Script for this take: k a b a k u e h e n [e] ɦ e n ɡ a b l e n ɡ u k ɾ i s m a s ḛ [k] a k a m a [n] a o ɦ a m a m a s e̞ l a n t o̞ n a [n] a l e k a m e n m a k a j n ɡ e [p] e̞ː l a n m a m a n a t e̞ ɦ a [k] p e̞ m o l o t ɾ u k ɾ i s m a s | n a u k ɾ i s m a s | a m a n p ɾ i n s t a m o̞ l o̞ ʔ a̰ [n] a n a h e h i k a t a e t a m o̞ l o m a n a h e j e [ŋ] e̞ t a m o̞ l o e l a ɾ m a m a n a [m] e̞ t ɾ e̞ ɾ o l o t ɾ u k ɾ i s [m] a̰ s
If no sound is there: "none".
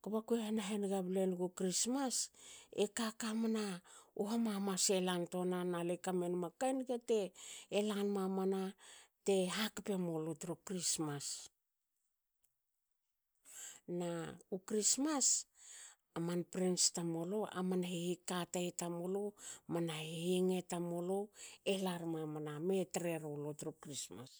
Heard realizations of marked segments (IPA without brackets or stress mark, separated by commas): a, k, n, n, t, k, m, ŋ, m, m